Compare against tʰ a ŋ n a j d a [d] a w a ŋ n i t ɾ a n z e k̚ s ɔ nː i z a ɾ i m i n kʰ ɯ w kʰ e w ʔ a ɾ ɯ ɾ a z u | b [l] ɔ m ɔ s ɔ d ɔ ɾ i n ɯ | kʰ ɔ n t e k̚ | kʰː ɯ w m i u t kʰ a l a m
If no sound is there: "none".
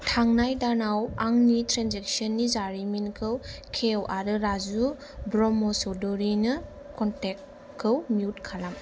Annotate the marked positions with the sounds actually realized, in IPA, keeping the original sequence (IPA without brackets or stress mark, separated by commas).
n, ɾ